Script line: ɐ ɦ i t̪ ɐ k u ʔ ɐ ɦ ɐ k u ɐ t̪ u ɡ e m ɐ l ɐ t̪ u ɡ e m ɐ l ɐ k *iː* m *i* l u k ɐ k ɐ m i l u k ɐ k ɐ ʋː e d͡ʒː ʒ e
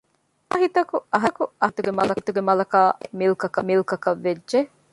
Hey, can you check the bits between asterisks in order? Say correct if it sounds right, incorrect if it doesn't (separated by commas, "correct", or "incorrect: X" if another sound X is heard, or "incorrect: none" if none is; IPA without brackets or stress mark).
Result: incorrect: aː, correct